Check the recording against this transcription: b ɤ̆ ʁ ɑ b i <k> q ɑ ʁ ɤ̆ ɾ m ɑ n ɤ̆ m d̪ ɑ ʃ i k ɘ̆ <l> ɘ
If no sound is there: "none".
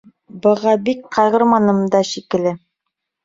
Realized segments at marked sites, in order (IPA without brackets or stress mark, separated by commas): k, l